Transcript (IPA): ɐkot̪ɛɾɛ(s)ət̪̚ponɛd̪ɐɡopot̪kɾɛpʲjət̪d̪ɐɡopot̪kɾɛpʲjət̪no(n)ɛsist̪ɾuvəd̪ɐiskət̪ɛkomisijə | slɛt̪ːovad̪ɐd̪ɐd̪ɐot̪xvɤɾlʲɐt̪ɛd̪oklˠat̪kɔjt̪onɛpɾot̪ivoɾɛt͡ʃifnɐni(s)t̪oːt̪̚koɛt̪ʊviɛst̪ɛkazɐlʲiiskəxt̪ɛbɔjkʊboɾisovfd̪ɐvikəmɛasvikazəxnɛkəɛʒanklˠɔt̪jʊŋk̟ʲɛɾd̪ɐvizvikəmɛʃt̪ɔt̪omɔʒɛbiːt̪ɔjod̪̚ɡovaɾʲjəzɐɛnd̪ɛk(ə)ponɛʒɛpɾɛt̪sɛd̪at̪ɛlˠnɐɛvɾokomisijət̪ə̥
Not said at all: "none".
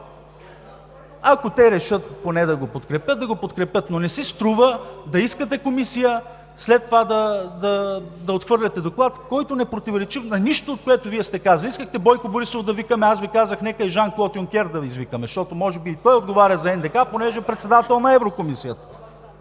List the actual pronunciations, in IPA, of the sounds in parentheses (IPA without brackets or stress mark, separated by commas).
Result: ʃ, n, ʃ, a